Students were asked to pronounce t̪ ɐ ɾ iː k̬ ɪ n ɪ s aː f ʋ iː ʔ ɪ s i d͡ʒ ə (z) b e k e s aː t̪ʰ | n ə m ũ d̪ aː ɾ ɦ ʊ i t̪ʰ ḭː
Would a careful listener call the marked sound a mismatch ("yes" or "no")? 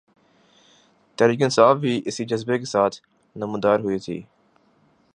no